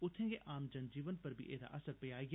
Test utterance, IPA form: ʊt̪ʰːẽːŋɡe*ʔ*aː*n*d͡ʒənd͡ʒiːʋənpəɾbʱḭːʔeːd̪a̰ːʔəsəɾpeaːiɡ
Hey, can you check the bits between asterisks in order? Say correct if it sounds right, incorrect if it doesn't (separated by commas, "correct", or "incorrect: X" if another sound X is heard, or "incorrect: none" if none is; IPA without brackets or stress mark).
correct, incorrect: m